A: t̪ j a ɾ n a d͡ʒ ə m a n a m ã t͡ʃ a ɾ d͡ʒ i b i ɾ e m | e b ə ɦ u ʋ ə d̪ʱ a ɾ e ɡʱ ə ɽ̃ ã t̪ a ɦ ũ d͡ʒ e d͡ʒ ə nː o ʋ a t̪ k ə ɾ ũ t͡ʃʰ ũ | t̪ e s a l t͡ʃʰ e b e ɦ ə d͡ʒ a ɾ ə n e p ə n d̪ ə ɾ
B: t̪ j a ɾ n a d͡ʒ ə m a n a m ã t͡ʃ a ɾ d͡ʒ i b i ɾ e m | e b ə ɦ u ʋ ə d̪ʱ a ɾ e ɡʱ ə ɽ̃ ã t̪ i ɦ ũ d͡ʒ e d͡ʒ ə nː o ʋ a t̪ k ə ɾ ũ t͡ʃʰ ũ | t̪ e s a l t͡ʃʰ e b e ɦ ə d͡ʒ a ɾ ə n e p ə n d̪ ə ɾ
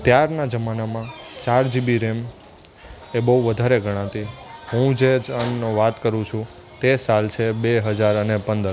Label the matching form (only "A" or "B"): B